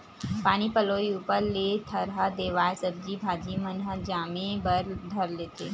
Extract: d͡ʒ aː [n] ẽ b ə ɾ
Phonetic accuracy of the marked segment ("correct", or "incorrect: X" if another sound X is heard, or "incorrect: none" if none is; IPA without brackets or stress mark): incorrect: m